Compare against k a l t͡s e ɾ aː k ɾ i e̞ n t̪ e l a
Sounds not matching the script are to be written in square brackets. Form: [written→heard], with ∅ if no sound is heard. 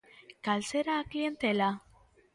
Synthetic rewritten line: k a l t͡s e ɾ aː k [ɾ→l] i e̞ n t̪ e l a